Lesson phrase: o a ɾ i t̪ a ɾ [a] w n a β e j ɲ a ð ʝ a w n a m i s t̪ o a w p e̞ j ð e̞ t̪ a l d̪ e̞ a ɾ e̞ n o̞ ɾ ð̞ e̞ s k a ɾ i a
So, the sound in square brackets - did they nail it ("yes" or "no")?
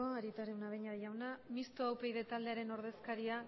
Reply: no